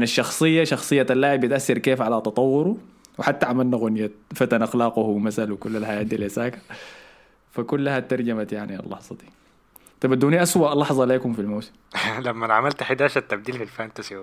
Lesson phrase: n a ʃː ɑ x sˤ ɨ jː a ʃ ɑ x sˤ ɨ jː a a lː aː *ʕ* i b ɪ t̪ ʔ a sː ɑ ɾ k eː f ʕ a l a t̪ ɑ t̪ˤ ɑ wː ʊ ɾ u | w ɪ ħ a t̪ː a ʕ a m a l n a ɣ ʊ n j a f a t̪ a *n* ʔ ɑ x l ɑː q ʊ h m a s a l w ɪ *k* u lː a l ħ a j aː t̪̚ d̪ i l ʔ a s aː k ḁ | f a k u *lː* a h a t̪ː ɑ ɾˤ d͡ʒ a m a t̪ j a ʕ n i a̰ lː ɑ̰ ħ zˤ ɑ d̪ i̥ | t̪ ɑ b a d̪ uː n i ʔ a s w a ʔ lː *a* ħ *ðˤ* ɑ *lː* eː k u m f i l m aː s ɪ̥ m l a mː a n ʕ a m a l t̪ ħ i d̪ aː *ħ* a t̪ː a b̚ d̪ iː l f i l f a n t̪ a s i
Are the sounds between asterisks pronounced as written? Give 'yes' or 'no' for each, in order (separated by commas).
yes, yes, yes, yes, no, no, no, no